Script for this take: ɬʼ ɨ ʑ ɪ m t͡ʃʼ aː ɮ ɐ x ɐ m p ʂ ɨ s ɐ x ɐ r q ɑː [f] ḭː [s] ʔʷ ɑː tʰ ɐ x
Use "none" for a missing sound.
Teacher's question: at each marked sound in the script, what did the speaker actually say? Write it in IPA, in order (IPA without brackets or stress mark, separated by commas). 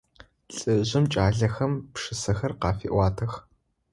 f, none